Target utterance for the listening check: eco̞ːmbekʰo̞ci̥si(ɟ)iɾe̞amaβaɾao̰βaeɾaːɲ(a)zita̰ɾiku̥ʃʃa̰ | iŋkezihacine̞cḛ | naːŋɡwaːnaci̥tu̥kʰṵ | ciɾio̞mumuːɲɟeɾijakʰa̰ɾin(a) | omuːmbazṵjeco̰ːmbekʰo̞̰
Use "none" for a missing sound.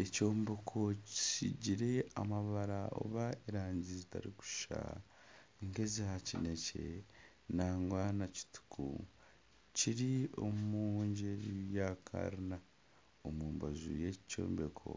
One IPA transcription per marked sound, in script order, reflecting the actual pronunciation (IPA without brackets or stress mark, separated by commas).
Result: ɟ, i, a